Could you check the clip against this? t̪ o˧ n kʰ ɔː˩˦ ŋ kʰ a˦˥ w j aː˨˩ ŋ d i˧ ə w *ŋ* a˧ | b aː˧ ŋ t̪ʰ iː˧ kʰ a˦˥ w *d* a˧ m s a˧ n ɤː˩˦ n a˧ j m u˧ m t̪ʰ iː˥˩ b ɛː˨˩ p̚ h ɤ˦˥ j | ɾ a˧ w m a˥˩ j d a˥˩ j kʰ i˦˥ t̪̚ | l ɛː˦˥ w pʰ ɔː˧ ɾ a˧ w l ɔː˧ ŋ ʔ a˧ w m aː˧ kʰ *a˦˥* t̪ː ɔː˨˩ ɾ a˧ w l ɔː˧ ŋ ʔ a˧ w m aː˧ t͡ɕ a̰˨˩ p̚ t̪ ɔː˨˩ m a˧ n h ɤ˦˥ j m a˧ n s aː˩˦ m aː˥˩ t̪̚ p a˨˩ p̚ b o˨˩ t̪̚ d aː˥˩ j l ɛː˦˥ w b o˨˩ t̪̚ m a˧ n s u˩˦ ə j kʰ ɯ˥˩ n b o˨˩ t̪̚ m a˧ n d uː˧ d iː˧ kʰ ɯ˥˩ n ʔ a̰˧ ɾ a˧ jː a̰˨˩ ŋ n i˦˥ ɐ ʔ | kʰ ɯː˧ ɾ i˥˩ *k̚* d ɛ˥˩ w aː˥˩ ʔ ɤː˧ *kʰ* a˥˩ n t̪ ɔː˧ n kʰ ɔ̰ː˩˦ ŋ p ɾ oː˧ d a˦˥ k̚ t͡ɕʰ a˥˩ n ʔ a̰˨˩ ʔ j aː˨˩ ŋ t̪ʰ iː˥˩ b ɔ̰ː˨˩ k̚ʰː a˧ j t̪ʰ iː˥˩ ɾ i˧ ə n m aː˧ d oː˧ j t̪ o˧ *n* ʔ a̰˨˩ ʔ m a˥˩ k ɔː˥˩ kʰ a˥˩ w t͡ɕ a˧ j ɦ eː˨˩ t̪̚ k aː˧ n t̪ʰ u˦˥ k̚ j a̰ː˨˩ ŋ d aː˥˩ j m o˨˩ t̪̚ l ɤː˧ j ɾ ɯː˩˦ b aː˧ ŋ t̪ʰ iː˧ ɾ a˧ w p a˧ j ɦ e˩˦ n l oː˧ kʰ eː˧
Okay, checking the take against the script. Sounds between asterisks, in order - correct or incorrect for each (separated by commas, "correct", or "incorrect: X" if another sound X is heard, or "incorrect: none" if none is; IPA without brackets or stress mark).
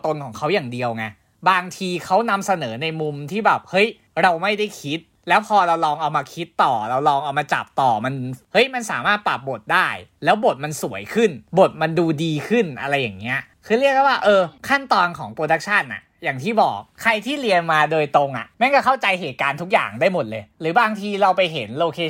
correct, incorrect: n, incorrect: i˦˥, correct, correct, incorrect: ŋ